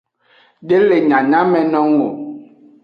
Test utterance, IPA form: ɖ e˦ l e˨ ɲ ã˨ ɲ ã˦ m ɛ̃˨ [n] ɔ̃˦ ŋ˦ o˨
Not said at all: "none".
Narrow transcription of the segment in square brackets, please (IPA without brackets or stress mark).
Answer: n